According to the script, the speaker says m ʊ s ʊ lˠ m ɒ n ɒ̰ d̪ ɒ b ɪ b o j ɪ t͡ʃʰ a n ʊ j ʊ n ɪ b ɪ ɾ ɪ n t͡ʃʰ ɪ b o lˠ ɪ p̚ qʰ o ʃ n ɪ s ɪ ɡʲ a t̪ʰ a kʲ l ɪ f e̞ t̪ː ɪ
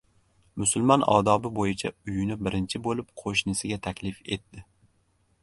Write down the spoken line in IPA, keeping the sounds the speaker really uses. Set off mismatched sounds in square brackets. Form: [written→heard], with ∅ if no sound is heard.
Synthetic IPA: m ʊ s ʊ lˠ m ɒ n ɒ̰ d̪ ɒ b ɪ b o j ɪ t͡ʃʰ a [n→∅] ʊ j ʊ n ɪ b ɪ ɾ ɪ n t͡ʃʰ ɪ b o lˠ ɪ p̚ qʰ o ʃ n ɪ s ɪ ɡʲ a t̪ʰ a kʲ l ɪ f e̞ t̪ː ɪ